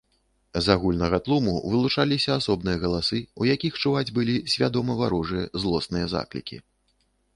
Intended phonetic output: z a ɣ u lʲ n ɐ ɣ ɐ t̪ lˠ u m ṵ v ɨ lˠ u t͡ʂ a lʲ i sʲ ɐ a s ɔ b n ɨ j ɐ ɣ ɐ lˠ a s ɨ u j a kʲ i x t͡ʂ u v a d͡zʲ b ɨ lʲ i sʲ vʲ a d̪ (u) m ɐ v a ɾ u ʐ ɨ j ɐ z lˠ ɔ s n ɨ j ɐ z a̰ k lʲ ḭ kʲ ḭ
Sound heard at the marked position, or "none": ɔ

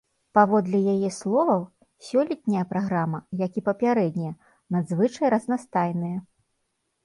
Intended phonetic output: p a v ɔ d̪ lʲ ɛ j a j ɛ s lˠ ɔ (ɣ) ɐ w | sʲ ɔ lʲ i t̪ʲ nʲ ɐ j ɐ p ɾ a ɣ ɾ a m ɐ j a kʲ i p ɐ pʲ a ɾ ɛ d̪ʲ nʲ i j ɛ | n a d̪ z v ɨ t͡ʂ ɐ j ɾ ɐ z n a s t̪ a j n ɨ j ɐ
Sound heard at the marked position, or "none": v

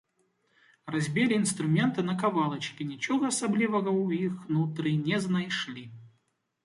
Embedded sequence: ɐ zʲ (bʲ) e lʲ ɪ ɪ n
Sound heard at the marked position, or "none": bʲ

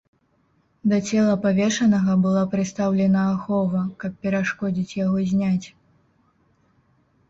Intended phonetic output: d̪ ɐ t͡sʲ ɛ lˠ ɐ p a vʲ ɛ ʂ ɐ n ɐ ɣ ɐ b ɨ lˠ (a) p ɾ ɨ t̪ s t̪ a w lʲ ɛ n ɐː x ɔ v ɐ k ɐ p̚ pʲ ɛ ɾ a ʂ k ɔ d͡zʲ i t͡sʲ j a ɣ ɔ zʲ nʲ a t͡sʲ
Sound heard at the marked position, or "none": a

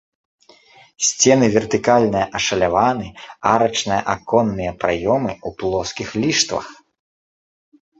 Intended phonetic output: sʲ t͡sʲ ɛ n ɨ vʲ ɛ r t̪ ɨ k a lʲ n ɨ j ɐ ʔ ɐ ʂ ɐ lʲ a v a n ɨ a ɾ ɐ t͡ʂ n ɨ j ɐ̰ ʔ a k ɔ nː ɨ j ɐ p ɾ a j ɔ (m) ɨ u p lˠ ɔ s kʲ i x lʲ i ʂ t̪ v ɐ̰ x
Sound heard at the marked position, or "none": m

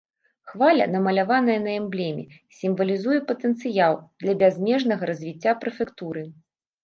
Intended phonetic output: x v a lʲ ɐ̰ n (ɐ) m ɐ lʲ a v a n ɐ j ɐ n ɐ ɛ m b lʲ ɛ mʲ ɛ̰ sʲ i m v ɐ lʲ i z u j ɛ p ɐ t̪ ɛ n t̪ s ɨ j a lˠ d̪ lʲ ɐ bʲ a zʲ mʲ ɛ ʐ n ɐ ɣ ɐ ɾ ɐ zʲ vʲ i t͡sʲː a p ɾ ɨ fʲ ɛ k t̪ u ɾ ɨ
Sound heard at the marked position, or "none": ɐ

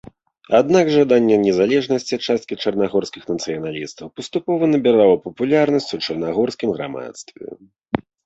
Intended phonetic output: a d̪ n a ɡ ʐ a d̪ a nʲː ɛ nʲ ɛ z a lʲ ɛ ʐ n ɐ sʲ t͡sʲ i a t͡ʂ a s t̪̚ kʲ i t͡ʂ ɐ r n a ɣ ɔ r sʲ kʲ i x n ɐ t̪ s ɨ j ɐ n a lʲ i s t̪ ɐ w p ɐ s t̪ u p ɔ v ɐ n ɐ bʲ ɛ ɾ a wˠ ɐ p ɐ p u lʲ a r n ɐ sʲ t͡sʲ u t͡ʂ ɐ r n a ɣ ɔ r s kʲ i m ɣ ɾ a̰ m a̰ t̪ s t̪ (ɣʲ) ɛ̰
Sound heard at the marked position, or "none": vʲ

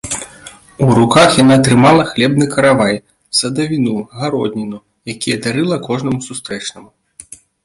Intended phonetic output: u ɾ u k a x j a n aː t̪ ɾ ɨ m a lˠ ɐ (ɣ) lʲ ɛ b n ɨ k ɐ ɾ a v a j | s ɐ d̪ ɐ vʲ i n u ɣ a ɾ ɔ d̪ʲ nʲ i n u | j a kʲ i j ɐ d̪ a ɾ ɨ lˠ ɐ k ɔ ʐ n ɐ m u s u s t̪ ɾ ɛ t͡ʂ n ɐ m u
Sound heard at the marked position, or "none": x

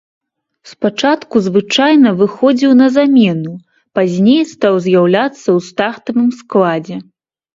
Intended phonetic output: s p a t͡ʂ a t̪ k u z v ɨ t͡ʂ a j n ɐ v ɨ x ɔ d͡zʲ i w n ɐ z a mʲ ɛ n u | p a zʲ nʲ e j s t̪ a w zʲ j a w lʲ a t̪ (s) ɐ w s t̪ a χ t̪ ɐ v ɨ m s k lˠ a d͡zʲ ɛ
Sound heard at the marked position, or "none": sː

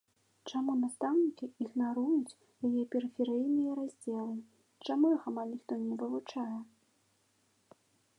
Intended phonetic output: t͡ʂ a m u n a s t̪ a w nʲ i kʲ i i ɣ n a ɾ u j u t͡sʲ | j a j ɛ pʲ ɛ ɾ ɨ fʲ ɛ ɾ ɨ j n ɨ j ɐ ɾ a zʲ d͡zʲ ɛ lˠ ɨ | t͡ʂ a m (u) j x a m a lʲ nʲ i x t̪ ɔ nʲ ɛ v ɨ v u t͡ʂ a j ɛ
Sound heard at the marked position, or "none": u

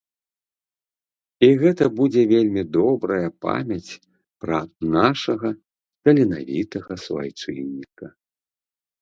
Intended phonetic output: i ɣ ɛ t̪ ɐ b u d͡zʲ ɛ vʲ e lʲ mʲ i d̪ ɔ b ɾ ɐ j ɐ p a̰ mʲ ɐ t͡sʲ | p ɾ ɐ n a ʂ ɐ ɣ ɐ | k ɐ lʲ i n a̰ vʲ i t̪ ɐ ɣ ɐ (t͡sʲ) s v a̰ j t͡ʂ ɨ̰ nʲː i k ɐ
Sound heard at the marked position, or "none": none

